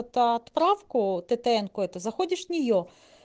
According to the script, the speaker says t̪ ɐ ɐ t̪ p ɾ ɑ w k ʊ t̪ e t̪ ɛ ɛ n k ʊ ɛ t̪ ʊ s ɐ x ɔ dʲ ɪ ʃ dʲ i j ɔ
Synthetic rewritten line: t̪ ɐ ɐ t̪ p ɾ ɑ w k ʊ t̪ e t̪ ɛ ɛ n k ʊ ɛ t̪ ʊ z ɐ x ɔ dʲ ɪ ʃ nʲ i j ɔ

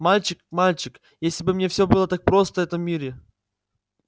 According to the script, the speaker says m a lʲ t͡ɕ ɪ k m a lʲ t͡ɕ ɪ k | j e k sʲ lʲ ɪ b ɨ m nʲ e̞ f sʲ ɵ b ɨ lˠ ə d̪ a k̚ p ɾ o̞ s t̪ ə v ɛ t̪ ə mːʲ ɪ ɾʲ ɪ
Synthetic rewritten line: m a lʲ t͡ɕ ɪ k m a lʲ t͡ɕ ɪ k | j e sʲ lʲ ɪ b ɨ m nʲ e̞ f sʲ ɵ b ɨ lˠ ə t̪ a k̚ p ɾ o̞ s t̪ ə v ɛ t̪ ə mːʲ i ɾʲ ɪ

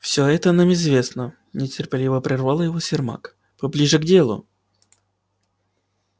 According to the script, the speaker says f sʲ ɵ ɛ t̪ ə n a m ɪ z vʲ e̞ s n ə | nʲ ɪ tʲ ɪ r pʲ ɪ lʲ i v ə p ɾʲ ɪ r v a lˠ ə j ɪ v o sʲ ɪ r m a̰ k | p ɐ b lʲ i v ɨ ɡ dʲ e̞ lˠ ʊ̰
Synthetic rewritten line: f sʲ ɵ ɛ t̪ ə n a m ɪ z vʲ e̞ s n ə | nʲ ɪ tʲ ɪ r pʲ ɪ lʲ i v ə p ɾʲ ɪ r v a lˠ ə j ɪ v o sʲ ɪ r m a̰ k | p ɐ b lʲ i ʐ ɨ ɡ dʲ e̞ lˠ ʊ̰

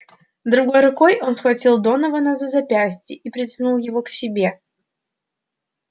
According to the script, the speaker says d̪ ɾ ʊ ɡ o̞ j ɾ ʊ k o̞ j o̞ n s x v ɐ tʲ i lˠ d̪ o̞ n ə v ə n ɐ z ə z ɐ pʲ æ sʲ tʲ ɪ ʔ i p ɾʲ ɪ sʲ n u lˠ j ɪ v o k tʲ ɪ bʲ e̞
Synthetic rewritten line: d̪ ɾ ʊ ɡ o̞ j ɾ ʊ k o̞ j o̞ n s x v ɐ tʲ i lˠ d̪ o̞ n ə v ə n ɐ z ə z ɐ pʲ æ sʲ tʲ ɪ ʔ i p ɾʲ ɪ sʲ n u lˠ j ɪ v o k sʲ ɪ bʲ e̞

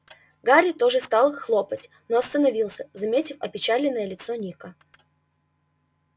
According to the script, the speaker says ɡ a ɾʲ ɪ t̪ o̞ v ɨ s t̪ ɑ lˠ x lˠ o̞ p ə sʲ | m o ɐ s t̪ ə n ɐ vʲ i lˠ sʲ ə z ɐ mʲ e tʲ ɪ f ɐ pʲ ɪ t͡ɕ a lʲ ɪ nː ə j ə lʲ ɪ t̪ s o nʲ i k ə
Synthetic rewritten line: ɡ a ɾʲ ɪ t̪ o̞ ʐ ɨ s t̪ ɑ lˠ x lˠ o̞ p ə tʲ | n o ɐ s t̪ ə n ɐ vʲ i lˠ sʲ ə z ɐ mʲ e tʲ ɪ f ɐ pʲ ɪ t͡ɕ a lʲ ɪ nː ə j ə lʲ ɪ t̪ s o nʲ i k ə

